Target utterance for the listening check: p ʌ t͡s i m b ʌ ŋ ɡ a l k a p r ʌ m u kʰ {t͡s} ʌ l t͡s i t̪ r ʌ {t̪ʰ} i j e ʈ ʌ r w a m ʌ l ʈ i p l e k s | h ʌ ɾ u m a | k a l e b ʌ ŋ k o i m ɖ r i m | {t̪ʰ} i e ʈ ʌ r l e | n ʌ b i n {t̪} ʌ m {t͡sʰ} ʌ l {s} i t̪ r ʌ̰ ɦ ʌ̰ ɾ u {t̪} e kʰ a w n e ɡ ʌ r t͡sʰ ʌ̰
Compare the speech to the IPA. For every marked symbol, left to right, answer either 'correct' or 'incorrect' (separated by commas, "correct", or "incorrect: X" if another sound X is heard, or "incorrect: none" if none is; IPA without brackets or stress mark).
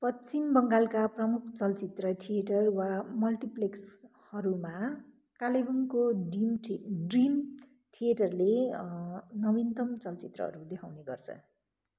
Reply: correct, correct, correct, correct, incorrect: t͡s, incorrect: t͡s, incorrect: d̪